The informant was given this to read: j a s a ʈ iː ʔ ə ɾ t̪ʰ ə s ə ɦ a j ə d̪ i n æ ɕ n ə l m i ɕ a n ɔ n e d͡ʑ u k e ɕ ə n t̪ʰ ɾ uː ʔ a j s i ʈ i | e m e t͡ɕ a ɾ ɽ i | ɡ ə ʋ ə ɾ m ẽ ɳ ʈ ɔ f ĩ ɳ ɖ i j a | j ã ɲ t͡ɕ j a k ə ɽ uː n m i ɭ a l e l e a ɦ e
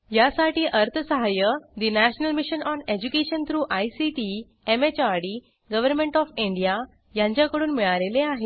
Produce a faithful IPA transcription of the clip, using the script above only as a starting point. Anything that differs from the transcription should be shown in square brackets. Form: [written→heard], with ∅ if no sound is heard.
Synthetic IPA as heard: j a s a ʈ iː ʔ ə ɾ t̪ʰ ə s ə ɦ a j ə d̪ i n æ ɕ n ə l m i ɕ [a→ə] n ɔ n e d͡ʑ u k e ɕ ə n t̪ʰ ɾ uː ʔ a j s i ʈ i | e m e t͡ɕ a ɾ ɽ i | ɡ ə ʋ ə ɾ m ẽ ɳ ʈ ɔ f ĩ ɳ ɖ i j a | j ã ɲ t͡ɕ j a k ə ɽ uː n m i ɭ a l e l e a ɦ e